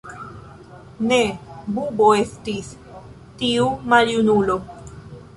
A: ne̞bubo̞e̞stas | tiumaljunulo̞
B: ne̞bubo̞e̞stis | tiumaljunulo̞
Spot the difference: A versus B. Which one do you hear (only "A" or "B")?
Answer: B